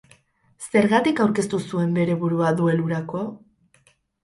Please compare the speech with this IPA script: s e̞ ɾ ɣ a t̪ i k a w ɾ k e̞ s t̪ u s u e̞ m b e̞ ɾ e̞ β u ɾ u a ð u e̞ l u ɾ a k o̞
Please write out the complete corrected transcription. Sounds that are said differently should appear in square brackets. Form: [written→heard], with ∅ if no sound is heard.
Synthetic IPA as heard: s e̞ ɾ ɣ a t̪ i k a w ɾ k e̞ s t̪ u s u e̞ m b e̞ ɾ e̞ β u ɾ u a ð u e̞ l u ɾ a k o̞